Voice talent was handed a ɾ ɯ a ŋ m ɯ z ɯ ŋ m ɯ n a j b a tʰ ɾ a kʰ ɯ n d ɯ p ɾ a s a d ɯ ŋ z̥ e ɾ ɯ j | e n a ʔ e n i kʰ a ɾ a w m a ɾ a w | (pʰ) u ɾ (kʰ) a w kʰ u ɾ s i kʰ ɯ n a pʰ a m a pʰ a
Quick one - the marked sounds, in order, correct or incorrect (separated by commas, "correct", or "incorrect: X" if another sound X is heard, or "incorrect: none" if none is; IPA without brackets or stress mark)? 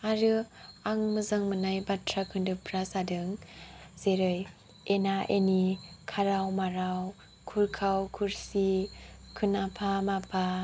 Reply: incorrect: kʰ, correct